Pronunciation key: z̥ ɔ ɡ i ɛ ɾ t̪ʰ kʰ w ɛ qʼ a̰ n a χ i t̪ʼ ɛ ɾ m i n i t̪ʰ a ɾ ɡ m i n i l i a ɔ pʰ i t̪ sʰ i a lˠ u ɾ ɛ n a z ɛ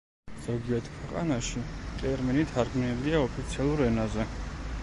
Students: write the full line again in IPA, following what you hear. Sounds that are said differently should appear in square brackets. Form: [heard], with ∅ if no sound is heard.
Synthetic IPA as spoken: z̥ ɔ ɡ i ɛ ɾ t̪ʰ kʰ w ɛ qʼ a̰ n a [ʃ] i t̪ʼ ɛ ɾ m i n i t̪ʰ a ɾ ɡ m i n i l i a ɔ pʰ i t̪ sʰ i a lˠ u ɾ ɛ n a z ɛ

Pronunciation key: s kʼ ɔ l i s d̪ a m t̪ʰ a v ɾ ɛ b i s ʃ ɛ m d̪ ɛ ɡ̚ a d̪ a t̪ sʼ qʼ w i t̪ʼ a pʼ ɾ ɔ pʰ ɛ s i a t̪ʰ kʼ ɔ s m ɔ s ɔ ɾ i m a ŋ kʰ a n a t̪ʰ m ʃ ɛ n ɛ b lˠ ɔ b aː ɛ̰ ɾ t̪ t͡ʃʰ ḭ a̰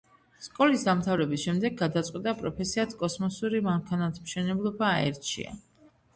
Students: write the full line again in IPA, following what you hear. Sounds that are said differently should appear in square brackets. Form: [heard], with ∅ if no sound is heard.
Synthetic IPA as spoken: s kʼ ɔ l i s d̪ a m t̪ʰ a v ɾ ɛ b i s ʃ ɛ m d̪ ɛ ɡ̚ a d̪ a t̪ sʼ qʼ w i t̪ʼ a pʼ ɾ ɔ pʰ ɛ s i a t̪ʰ kʼ ɔ s m ɔ s [u] ɾ i m a ŋ kʰ a n a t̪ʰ m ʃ ɛ n ɛ b lˠ ɔ b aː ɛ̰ ɾ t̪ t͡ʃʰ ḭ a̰

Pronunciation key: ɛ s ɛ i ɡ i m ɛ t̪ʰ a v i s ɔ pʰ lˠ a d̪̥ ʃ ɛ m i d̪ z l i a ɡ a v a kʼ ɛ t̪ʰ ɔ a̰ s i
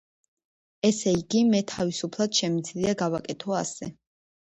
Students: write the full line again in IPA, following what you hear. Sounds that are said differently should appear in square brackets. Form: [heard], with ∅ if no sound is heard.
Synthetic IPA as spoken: ɛ s ɛ i ɡ i m ɛ t̪ʰ a v i s [u] pʰ lˠ a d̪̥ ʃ ɛ m i d̪ z l i a ɡ a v a kʼ ɛ t̪ʰ ɔ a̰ s [ɛ]

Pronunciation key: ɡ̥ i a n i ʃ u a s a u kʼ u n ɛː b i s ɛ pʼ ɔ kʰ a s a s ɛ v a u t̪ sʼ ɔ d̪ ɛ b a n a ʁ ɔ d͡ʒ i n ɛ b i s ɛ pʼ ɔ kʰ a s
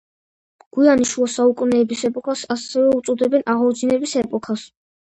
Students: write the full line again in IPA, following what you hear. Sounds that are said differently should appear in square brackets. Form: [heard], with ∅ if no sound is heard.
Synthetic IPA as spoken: ɡ̥ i a n i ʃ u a s a u kʼ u n ɛː b i s ɛ pʼ ɔ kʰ a s a s ɛ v [ɛ] u t̪ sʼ ɔ d̪ ɛ b [ɛ] n a ʁ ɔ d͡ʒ i n ɛ b i s ɛ pʼ ɔ kʰ a s

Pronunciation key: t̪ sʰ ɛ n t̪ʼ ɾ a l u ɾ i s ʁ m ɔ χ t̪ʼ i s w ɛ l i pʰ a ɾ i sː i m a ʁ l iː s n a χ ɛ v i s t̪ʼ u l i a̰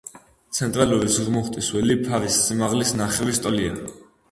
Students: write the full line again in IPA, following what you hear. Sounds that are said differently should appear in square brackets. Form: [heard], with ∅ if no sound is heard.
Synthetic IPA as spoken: t̪ sʰ ɛ n t̪ʼ ɾ a l u ɾ i s ʁ m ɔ χ t̪ʼ i s w ɛ l i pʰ a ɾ i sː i m a ʁ l [i] s n a χ ɛ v i s t̪ʼ [ɔ] l i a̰

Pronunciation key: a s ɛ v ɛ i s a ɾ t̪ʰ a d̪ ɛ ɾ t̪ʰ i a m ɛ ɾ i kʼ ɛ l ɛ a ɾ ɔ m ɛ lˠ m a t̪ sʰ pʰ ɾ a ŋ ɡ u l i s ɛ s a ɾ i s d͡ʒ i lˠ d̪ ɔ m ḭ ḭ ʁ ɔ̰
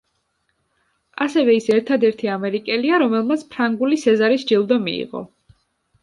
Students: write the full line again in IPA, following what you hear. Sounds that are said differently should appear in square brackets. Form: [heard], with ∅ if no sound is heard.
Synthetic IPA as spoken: a s ɛ v ɛ i s [ɛ] ɾ t̪ʰ a d̪ ɛ ɾ t̪ʰ i a m ɛ ɾ i kʼ ɛ l [i] a ɾ ɔ m ɛ lˠ m a t̪ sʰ pʰ ɾ a ŋ ɡ u l i s ɛ [z] a ɾ i s d͡ʒ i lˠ d̪ ɔ m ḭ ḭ ʁ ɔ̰

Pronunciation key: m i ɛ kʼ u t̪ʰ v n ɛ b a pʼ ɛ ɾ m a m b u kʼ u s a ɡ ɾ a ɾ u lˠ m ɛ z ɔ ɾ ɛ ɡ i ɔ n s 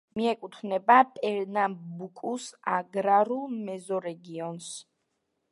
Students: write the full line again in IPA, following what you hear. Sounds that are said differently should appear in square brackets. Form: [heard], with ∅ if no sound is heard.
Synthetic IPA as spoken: m i ɛ kʼ u t̪ʰ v n ɛ b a pʼ ɛ ɾ [n] a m b u kʼ u s a ɡ ɾ a ɾ u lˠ m ɛ z ɔ ɾ ɛ ɡ i ɔ n s

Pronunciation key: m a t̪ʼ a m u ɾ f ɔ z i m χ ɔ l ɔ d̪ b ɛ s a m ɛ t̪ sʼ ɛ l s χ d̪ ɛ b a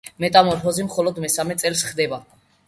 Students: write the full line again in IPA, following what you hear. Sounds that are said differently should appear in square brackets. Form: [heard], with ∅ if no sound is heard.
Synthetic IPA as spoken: m [ɛ] t̪ʼ a m [ɔ] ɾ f ɔ z i m χ ɔ l ɔ d̪ [m] ɛ s a m ɛ t̪ sʼ ɛ l s χ d̪ ɛ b a

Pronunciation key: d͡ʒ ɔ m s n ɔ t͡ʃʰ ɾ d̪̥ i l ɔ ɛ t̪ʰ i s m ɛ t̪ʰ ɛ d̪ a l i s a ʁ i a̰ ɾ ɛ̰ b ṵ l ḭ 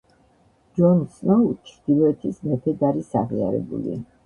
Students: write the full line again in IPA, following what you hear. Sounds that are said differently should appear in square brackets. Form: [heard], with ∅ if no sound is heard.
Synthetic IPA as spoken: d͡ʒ ɔ [n] s n ɔ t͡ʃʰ ɾ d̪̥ i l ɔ ɛ t̪ʰ i s m ɛ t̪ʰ ɛ d̪ a [ɾ] i s a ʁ i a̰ ɾ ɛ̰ b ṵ l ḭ

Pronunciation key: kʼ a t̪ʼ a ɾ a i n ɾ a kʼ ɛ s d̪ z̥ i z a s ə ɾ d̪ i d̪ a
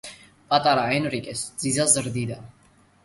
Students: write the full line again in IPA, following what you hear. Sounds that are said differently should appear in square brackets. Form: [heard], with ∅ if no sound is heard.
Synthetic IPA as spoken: [pʼ] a t̪ʼ a ɾ a [ɛ] n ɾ [i] kʼ ɛ s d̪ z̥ i z a [z] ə ɾ d̪ i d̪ a

